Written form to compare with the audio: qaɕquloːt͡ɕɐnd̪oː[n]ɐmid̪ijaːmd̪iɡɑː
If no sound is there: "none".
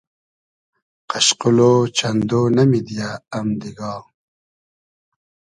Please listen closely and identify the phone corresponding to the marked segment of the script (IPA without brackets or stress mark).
n